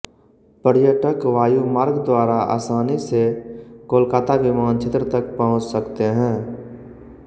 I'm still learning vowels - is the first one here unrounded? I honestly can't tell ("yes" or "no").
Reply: yes